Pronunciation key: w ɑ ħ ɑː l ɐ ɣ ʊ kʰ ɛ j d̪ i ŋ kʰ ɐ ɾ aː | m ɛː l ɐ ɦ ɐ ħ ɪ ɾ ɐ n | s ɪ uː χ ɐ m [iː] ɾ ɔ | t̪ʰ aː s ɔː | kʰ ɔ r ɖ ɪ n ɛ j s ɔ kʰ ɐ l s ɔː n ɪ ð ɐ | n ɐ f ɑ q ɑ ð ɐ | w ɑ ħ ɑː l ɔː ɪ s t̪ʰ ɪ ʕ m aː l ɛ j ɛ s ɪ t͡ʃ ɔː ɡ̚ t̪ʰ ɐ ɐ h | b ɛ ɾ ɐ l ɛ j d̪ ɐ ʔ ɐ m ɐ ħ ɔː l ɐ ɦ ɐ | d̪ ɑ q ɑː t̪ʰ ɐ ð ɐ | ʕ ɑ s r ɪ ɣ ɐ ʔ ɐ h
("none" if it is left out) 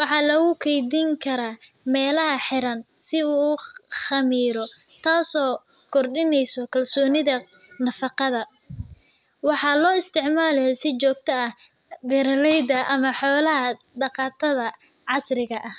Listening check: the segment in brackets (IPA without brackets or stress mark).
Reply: iː